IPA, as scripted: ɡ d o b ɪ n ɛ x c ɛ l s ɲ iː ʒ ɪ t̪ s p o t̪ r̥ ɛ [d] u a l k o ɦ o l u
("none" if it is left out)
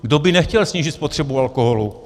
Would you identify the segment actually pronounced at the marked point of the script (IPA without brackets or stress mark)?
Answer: b